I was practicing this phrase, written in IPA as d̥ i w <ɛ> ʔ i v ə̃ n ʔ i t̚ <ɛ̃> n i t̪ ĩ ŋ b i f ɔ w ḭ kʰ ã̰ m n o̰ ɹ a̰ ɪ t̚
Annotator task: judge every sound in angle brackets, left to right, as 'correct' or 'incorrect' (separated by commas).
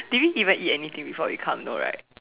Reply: incorrect, incorrect